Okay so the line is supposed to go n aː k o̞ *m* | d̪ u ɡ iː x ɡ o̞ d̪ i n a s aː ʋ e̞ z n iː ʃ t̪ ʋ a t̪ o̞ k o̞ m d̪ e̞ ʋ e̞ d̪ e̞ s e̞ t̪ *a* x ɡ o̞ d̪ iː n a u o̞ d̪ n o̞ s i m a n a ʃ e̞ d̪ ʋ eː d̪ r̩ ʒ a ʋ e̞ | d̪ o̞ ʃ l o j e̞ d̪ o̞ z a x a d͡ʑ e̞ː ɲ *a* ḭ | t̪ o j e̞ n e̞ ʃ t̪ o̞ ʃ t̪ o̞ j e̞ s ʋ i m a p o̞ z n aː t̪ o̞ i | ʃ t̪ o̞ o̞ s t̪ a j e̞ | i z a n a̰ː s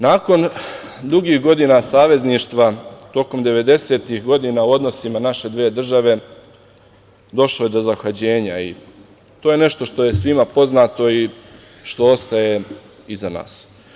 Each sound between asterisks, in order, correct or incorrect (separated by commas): incorrect, incorrect, correct